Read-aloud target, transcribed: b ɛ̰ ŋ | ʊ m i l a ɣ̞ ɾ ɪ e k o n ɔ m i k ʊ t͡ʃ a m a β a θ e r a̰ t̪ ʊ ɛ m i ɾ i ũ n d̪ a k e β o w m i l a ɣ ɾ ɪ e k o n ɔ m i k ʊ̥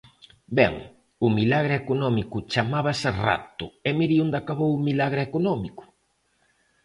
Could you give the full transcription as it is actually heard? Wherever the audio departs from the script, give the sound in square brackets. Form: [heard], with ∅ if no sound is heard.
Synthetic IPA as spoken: b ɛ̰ ŋ | ʊ m i l a ɣ̞ ɾ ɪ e k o n ɔ m i k ʊ t͡ʃ a m a β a [s] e r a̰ t̪ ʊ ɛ m i ɾ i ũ n d̪ a k [a] β o w m i l a ɣ ɾ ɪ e k o n ɔ m i k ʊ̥